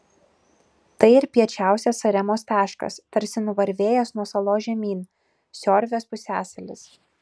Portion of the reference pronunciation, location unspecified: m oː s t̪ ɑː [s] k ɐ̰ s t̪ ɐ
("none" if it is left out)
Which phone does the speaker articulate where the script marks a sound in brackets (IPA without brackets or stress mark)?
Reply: ʃ